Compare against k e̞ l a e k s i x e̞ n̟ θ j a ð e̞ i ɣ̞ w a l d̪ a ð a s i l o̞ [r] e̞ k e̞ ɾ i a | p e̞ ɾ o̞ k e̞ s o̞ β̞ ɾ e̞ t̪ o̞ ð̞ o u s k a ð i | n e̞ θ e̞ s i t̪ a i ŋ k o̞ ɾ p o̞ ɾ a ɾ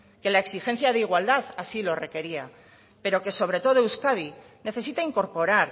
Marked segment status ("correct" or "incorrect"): correct